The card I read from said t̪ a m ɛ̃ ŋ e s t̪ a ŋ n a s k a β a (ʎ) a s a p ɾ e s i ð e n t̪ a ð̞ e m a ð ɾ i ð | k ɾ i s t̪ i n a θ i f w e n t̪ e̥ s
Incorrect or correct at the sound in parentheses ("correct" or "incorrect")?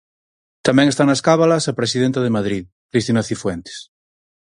incorrect